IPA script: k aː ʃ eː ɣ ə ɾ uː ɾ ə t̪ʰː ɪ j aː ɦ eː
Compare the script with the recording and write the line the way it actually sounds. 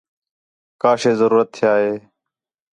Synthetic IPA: k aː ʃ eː z ə ɾ uː ɾ ə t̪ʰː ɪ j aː ɦ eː